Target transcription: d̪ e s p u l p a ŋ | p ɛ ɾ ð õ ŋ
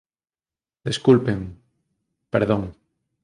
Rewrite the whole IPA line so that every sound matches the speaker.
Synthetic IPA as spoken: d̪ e s k u l p e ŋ | p e ɾ ð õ ŋ